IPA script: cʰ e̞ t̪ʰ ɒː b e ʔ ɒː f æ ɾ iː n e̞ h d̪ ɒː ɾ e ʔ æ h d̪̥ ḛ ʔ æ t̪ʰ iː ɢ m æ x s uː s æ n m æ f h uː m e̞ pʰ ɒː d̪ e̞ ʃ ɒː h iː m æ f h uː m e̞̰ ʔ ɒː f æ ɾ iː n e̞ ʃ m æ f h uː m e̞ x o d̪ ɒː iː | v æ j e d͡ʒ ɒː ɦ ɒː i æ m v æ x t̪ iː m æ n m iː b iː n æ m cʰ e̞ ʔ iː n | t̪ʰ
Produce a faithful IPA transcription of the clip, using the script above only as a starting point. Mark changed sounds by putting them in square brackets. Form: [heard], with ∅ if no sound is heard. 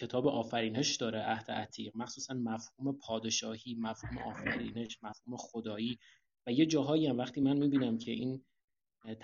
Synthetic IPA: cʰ e̞ t̪ʰ ɒː b e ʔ ɒː f æ ɾ iː n e̞ [ʃ] d̪ ɒː ɾ e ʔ æ h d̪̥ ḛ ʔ æ t̪ʰ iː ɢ m æ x s uː s æ n m æ f h uː m e̞ pʰ ɒː d̪ e̞ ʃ ɒː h iː m æ f h uː m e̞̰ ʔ ɒː f æ ɾ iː n e̞ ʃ m æ f h uː m e̞ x o d̪ ɒː iː | v æ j e d͡ʒ ɒː ɦ ɒː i æ m v æ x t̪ iː m æ n m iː b iː n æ m cʰ e̞ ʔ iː n | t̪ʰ